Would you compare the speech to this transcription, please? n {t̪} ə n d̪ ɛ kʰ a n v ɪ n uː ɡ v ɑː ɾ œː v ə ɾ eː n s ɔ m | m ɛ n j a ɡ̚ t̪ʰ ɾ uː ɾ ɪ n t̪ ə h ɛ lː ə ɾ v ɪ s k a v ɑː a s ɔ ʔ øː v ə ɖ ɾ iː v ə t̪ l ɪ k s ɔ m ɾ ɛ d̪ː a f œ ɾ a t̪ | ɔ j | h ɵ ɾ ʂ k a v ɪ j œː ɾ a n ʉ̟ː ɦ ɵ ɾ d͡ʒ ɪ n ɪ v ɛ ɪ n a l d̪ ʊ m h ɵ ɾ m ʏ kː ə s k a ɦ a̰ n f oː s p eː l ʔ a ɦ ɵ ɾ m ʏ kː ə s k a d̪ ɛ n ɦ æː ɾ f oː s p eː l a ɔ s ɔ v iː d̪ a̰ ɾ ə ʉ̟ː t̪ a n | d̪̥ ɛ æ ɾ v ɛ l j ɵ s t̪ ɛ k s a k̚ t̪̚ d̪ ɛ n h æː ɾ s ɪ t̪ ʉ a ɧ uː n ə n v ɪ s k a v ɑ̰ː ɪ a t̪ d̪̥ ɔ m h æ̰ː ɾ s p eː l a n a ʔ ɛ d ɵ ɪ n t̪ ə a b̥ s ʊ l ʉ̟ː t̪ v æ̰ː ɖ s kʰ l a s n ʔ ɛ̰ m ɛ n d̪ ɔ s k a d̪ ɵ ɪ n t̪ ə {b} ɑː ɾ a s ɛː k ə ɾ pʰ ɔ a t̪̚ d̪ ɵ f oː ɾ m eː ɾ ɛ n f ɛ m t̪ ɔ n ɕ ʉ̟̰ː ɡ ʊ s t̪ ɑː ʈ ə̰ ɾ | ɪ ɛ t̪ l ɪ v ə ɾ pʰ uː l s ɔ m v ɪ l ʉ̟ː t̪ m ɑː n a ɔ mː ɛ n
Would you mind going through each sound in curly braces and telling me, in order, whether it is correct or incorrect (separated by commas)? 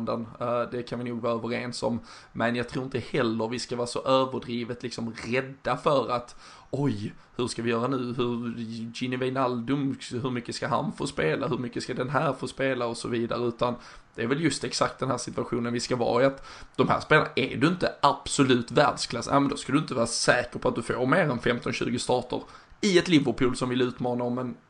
incorrect, incorrect